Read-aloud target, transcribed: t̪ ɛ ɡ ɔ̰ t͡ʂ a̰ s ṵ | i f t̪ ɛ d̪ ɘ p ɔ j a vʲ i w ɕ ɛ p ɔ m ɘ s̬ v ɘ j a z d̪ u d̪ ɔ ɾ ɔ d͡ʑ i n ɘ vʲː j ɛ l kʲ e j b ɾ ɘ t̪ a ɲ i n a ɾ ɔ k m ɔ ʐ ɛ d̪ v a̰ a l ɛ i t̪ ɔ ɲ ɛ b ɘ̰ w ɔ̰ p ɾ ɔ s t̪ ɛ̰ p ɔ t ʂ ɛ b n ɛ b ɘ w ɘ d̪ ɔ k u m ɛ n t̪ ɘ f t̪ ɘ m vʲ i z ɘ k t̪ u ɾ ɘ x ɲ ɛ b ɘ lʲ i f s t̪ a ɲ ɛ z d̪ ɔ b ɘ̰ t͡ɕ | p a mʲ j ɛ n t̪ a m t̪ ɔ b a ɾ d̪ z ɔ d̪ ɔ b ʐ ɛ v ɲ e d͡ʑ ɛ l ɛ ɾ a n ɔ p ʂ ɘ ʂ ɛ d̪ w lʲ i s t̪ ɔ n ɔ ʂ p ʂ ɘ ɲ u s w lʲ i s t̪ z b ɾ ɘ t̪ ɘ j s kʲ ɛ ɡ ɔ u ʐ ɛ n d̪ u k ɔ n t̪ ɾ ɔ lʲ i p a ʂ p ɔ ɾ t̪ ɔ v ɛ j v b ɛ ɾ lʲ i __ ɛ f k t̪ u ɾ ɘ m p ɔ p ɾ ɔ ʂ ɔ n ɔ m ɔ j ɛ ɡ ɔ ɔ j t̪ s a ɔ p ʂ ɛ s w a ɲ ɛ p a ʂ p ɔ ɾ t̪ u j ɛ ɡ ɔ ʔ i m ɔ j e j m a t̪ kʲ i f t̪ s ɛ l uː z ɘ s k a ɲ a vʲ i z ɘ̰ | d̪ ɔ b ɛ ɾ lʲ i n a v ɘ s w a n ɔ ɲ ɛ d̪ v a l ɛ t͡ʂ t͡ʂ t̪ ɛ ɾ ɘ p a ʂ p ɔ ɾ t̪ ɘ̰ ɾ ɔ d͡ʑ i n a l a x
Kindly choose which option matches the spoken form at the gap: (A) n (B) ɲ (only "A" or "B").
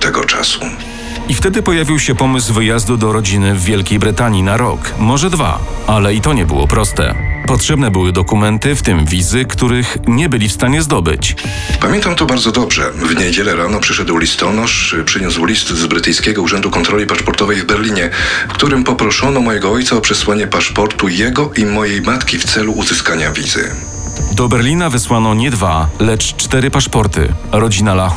B